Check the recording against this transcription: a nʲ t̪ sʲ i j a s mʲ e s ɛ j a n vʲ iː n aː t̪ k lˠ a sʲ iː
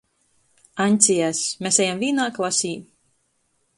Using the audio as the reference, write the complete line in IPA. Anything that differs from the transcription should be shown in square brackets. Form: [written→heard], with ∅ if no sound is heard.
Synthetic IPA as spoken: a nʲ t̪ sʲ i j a s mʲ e s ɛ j a [n→m] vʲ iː n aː [t̪→∅] k lˠ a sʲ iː

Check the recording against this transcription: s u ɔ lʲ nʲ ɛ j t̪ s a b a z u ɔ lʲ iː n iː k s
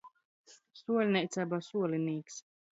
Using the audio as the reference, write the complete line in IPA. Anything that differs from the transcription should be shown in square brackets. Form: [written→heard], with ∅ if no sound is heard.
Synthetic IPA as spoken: s u ɔ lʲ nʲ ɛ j t̪ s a b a [z→s] u ɔ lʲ [iː→i] n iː k s

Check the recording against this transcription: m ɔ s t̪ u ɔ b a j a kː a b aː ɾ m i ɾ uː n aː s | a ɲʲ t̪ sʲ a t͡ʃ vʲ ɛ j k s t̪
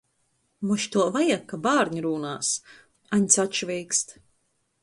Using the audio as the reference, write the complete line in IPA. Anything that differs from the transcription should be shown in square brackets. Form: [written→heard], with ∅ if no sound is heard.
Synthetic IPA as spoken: m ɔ [s→ʃ] t̪ u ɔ [b→v] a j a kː a b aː ɾ [m→ɲ] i ɾ uː n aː s | a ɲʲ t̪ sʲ a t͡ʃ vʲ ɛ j k s t̪

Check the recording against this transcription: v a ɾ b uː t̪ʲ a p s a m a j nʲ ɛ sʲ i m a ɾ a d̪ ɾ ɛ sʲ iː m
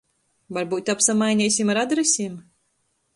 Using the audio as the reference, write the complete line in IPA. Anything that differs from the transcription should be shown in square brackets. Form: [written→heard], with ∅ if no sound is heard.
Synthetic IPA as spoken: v a ɾ b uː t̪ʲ a p s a m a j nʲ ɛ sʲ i m a ɾ a d̪ ɾ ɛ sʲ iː m

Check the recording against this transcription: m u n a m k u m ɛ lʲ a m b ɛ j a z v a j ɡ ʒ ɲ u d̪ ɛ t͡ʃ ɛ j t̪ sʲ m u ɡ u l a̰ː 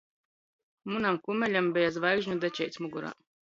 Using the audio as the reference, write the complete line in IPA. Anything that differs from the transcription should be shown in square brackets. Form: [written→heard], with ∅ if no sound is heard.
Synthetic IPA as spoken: m u n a m k u m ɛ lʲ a m b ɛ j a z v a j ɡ ʒ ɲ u d̪ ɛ t͡ʃ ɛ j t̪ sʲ m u ɡ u [l→ɾ] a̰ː

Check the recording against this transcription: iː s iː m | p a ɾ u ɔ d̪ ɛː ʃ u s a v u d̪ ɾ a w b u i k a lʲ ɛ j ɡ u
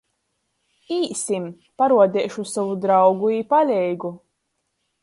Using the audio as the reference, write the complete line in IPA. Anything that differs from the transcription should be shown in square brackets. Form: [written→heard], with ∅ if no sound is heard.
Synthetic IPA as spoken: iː s [iː→i] m | p a ɾ u ɔ d̪ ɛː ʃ u s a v u d̪ ɾ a w [b→ɡ] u i [k→p] a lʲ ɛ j ɡ u

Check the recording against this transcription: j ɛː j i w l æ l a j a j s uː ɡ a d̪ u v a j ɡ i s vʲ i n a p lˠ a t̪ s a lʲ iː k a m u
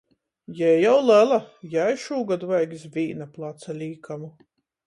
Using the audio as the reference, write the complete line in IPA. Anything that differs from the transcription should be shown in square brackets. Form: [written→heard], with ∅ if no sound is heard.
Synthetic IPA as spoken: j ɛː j [i→a] w l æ l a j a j [s→ʃ] uː ɡ a d̪ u v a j ɡ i s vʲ [i→iː] n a p lˠ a t̪ s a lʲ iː k a m u

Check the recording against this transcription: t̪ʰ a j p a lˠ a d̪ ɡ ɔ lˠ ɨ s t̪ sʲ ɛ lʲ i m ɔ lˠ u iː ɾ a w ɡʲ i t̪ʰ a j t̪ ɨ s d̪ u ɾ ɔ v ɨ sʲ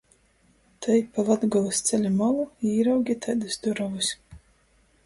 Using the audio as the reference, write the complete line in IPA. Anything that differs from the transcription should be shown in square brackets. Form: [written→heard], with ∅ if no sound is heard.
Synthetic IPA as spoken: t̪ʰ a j p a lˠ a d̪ ɡ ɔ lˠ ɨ s t̪ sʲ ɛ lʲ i m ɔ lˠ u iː ɾ a w ɡʲ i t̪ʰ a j [t̪→d̪] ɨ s d̪ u ɾ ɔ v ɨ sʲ

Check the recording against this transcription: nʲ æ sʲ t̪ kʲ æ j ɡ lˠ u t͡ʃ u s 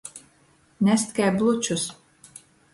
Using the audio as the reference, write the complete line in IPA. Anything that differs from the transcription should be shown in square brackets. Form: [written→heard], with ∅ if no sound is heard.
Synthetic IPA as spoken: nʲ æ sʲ t̪ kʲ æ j [ɡ→b] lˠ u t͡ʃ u s

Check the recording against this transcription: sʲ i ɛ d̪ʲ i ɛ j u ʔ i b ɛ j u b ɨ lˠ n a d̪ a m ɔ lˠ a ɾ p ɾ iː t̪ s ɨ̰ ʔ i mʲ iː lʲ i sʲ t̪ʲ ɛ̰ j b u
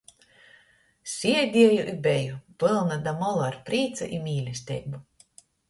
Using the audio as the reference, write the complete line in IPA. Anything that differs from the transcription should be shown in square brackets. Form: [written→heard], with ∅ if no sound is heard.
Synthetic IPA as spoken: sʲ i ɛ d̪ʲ i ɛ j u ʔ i b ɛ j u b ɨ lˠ n a d̪ a m ɔ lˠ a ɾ p ɾ iː t̪ s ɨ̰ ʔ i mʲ iː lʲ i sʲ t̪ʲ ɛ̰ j b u

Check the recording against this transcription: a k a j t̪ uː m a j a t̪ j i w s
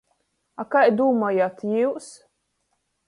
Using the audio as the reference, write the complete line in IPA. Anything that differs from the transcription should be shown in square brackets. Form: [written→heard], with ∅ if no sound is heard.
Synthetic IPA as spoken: a k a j [t̪→d̪] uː m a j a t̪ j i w s

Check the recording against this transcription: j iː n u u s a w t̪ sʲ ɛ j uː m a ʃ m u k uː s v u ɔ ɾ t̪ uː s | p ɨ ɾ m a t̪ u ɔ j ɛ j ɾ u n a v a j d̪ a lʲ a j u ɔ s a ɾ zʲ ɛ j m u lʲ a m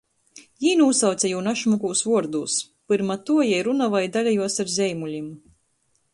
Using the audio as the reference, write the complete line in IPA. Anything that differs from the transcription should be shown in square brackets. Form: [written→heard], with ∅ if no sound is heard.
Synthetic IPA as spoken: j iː n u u s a w t̪ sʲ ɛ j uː [m→n] a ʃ m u k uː s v u ɔ ɾ [t̪→d̪] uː s | p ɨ ɾ m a t̪ u ɔ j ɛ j ɾ u n a v a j d̪ a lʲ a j u ɔ s a ɾ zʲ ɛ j m u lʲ [a→i] m

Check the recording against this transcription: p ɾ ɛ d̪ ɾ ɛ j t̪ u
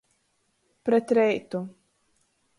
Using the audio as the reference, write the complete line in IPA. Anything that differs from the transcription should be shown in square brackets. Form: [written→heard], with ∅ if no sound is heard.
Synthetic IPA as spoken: p ɾ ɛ [d̪→t̪] ɾ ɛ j t̪ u

